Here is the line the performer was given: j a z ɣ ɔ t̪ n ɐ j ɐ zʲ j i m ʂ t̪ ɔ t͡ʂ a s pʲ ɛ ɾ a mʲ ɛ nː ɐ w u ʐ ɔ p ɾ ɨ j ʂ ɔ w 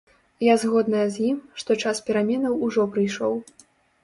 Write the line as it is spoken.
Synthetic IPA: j a z ɣ ɔ d̪ n ɐ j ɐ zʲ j i m ʂ t̪ ɔ t͡ʂ a s pʲ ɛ ɾ a mʲ ɛ n ɐ w u ʐ ɔ p ɾ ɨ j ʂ ɔ w